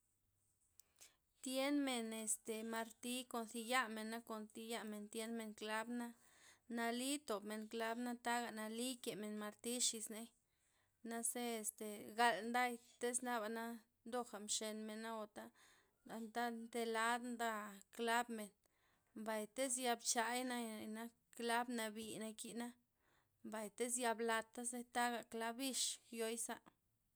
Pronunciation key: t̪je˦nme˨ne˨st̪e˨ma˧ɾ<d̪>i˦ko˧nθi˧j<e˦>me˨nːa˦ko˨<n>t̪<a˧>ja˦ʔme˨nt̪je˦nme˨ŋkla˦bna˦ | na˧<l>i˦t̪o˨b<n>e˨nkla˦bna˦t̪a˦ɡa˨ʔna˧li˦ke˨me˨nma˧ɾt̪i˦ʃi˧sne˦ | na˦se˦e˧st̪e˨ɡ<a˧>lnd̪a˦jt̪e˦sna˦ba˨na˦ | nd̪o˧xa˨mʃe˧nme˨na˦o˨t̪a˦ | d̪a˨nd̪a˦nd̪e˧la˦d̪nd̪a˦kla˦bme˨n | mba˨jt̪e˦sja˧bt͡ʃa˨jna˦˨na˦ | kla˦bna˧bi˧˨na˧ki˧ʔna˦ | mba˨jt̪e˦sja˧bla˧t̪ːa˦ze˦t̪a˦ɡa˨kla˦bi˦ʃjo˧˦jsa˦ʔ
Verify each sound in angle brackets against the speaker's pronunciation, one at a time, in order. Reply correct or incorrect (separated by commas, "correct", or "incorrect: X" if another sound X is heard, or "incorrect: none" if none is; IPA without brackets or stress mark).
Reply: incorrect: t̪, incorrect: a˦, correct, incorrect: i˧, correct, incorrect: m, correct